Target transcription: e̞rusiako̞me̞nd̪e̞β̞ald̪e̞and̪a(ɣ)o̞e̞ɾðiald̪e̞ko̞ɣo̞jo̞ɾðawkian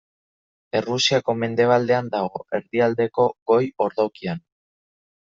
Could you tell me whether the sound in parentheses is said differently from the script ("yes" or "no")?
no